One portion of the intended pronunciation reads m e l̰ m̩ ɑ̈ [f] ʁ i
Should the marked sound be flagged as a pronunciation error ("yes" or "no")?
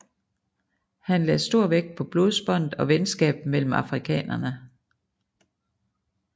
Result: no